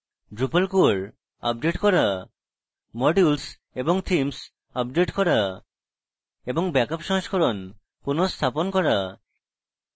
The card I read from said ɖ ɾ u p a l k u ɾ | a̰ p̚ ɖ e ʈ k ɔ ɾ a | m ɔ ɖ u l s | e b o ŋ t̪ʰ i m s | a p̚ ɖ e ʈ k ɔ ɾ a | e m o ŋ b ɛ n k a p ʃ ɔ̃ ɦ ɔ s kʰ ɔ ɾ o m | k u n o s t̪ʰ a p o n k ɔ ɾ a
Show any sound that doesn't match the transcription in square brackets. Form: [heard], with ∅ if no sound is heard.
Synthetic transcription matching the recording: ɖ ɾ u p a l k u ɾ | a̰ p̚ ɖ e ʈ k ɔ ɾ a | m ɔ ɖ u l s | e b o ŋ t̪ʰ i m s | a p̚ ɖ e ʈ k ɔ ɾ a | e [b] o ŋ b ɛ [∅] k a p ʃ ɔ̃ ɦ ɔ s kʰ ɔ ɾ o [n] | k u n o s t̪ʰ a p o n k ɔ ɾ a